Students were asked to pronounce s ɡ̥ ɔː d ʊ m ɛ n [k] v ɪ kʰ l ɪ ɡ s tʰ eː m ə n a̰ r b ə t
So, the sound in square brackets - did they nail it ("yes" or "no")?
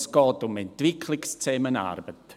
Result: no